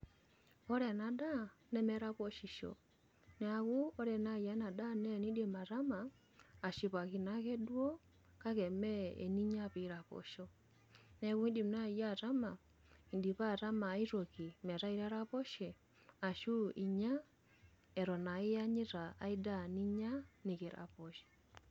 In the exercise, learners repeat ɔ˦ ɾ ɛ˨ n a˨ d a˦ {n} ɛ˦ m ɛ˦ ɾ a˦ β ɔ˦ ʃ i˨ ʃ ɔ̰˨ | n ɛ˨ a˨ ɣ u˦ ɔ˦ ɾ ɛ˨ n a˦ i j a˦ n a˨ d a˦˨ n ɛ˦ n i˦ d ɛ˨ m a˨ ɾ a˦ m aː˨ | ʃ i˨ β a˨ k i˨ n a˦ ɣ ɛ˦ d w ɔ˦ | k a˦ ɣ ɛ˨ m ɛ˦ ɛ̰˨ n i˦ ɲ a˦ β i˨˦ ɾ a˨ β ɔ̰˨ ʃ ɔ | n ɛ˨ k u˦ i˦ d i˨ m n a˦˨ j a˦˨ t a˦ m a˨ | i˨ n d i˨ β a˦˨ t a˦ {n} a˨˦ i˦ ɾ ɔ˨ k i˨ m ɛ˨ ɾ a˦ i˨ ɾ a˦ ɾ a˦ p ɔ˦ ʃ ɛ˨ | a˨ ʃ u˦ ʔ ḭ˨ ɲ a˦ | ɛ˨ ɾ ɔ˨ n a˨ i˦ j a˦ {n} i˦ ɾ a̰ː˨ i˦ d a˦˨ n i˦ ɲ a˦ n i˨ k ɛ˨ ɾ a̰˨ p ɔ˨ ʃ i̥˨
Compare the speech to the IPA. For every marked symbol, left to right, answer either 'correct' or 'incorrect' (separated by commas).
correct, incorrect, incorrect